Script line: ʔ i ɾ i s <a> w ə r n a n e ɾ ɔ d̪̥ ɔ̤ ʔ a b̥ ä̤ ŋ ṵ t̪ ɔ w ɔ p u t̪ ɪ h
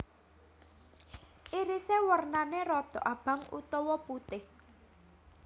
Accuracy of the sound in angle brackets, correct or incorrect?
incorrect: e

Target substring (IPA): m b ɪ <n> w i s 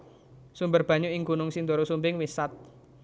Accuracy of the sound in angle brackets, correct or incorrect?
incorrect: ŋ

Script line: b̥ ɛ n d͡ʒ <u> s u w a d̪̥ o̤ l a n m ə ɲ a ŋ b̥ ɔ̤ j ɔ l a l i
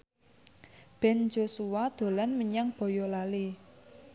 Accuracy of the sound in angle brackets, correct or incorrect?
incorrect: o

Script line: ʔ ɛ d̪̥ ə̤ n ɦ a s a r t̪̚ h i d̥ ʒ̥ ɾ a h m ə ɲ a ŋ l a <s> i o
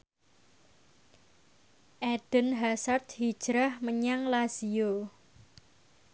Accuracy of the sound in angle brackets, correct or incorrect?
correct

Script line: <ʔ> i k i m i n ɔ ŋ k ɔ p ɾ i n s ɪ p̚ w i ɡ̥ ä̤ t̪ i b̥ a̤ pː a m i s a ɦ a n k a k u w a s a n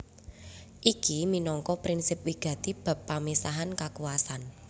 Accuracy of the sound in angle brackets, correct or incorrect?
correct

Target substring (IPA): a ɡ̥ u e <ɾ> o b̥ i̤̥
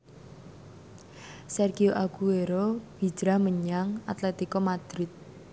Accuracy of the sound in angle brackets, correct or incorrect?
correct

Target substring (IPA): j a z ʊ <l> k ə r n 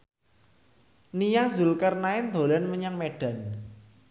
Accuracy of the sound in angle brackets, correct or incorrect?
correct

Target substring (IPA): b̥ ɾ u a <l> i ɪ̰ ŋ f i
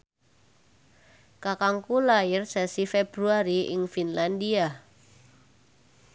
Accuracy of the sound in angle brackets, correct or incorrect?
incorrect: ɾ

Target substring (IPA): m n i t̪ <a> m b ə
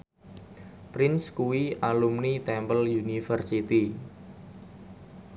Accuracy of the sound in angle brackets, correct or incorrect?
incorrect: ɛ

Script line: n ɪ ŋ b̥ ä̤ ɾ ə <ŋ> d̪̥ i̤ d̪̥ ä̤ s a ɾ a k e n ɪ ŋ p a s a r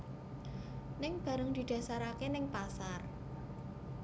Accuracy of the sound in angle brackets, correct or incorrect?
correct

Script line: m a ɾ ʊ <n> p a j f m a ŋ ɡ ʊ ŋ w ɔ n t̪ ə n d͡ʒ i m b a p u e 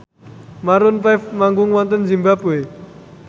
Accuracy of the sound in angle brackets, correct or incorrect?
correct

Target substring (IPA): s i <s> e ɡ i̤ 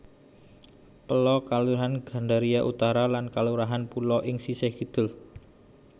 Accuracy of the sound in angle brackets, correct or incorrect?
correct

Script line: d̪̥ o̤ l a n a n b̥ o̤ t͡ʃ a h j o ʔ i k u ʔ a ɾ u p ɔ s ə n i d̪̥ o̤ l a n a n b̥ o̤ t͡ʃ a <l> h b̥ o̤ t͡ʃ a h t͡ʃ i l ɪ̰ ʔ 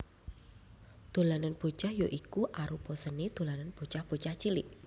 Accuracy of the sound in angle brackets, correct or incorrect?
incorrect: none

